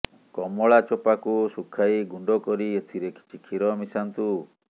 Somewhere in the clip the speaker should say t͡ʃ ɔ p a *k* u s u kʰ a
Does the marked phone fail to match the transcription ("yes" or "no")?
no